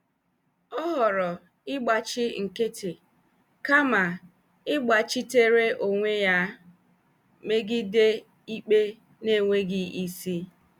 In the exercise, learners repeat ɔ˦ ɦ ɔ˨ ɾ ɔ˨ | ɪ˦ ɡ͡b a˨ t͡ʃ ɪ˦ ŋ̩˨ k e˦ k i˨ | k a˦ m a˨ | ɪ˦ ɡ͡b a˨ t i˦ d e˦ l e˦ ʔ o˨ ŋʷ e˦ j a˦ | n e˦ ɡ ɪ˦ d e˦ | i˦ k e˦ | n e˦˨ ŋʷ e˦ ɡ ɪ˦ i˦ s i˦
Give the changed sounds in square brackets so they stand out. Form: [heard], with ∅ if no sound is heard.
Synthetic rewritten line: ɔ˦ ɦ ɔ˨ ɾ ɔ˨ | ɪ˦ ɡ͡b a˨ t͡ʃ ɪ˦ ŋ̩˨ k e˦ [t] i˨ | k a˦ m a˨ | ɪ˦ ɡ͡b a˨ [t͡ʃ] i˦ [t] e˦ [ɾ] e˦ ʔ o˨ ŋʷ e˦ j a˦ | [m] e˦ ɡ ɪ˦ d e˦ | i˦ [k͡p] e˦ | n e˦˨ ŋʷ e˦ ɡ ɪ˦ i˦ s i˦

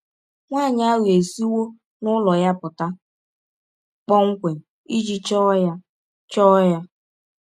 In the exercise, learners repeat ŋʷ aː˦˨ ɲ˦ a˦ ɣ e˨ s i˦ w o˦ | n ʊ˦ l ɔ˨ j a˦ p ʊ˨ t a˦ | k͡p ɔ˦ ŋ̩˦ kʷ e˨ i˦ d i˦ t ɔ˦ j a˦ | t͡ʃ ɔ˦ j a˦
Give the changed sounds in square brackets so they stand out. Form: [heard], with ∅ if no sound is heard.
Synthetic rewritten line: ŋʷ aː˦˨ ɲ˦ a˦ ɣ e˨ s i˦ w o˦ | n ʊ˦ l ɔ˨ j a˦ p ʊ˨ t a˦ | k͡p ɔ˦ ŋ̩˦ kʷ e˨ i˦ [d͡ʒ] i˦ [t͡ʃ] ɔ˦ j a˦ | t͡ʃ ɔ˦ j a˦

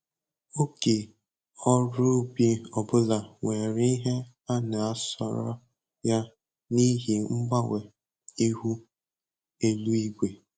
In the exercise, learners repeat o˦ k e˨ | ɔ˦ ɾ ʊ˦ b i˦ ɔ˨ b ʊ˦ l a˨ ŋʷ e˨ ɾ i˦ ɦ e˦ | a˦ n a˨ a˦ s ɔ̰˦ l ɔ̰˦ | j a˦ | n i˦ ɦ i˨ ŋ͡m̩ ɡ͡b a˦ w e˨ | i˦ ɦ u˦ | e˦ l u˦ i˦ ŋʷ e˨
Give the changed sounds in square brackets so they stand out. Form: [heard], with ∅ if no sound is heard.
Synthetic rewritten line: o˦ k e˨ | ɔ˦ ɾ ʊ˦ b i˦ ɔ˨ b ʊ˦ l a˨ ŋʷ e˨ ɾ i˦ ɦ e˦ | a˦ n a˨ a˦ s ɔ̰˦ [ɾ] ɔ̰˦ | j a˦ | n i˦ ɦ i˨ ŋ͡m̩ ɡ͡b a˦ w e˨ | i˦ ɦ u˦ | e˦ l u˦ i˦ [ɡʷ] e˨

